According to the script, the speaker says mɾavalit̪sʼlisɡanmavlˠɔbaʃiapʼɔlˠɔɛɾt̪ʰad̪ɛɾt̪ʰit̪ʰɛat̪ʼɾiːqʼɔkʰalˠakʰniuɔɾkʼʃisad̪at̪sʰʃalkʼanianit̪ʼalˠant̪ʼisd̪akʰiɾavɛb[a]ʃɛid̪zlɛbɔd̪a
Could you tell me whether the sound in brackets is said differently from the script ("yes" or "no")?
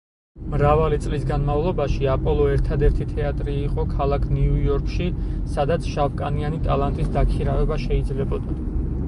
no